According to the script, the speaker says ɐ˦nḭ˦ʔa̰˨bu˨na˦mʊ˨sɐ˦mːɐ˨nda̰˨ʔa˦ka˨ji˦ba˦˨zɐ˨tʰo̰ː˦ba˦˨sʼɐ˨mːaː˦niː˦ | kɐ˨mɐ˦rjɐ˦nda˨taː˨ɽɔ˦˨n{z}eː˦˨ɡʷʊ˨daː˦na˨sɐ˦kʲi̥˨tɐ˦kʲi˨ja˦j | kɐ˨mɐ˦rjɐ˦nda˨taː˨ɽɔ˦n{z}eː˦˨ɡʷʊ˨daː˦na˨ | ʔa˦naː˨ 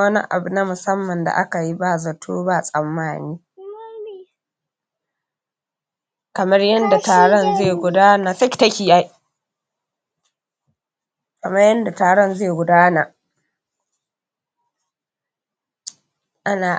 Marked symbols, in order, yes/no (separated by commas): yes, yes